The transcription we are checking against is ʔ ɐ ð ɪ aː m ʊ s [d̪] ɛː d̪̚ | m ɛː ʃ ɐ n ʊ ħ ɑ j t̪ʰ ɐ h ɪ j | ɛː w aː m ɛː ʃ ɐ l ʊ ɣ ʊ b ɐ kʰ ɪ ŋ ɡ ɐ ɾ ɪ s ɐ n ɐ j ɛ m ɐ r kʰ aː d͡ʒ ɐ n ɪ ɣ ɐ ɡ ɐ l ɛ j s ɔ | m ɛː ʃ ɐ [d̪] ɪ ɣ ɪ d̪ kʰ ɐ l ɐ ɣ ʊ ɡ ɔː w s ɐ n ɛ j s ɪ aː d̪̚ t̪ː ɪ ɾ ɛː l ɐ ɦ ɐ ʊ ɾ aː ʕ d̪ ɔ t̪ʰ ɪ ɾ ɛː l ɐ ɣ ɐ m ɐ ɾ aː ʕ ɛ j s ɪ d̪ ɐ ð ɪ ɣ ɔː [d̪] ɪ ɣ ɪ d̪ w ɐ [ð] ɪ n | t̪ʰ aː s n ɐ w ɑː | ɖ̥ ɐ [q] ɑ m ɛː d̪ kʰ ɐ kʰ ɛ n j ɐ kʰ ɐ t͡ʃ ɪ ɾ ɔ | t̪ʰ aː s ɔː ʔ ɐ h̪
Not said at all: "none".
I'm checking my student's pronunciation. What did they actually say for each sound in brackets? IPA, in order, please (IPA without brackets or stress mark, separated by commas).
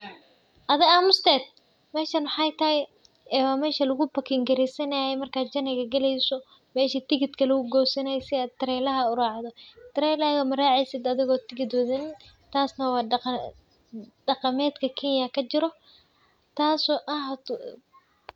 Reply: t̪, t̪, t̪, ð, q